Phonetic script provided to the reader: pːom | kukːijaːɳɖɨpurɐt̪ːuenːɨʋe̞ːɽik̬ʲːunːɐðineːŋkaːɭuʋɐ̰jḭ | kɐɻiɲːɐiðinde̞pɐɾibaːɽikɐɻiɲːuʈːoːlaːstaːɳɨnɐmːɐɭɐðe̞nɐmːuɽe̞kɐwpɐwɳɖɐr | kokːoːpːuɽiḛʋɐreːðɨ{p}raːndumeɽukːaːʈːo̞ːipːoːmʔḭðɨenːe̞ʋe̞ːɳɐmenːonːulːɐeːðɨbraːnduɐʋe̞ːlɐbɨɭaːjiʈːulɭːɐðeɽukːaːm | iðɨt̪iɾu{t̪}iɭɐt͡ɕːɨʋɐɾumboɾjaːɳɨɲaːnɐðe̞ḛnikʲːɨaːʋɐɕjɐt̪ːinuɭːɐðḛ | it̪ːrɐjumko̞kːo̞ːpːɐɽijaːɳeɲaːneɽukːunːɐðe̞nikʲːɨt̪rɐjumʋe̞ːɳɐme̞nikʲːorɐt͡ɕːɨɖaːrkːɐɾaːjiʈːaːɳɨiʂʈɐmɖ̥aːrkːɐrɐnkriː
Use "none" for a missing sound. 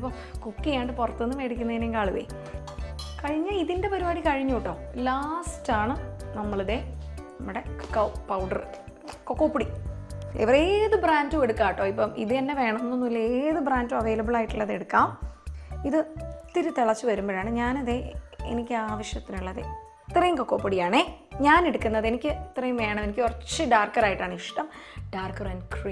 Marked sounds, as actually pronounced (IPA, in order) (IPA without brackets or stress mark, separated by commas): b, t̪